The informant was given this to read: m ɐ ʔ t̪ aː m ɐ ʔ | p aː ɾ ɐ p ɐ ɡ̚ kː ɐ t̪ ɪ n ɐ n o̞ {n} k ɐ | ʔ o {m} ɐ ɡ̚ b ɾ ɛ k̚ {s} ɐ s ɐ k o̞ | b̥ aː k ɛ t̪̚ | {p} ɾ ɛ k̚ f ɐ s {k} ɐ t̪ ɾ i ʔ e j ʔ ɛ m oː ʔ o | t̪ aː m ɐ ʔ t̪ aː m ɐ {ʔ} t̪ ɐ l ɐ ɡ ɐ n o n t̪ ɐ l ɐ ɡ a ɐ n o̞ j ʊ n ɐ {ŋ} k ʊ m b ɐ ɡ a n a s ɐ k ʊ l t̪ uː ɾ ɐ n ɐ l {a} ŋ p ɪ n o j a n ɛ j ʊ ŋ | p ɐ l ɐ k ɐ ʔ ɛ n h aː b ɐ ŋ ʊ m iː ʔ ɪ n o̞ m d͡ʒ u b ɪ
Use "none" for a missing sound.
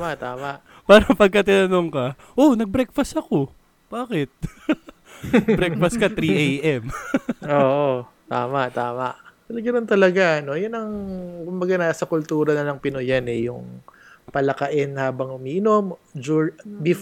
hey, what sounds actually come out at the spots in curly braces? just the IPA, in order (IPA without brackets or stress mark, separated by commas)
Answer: ŋ, n, f, b, k, ʔ, ŋ, ɐ